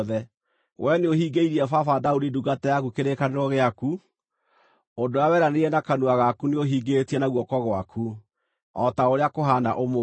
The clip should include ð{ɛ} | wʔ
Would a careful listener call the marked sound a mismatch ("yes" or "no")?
no